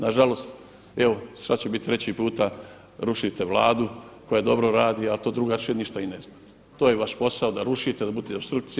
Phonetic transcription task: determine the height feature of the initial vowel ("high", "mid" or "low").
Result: low